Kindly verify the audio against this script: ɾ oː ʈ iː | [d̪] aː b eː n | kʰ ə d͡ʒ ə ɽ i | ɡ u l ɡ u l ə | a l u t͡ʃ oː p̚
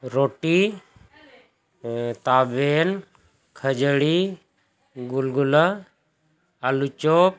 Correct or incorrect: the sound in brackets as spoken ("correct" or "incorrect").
incorrect